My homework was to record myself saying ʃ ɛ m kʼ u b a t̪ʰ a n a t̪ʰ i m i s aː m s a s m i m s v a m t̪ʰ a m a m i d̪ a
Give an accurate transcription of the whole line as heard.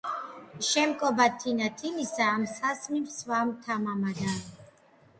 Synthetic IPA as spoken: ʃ ɛ m kʼ ɔ b a t̪ʰ i n a t̪ʰ i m i s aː m s a s m i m s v a m t̪ʰ a m a m a d̪ a